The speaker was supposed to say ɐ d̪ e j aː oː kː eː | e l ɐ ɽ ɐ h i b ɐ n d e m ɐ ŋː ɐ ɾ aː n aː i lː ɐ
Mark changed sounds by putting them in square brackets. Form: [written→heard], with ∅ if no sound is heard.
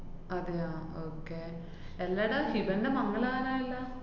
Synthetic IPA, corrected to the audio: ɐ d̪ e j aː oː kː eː | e [l→lː] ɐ ɽ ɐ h i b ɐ n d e m ɐ ŋː ɐ [ɾ→ɭ] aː n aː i lː ɐ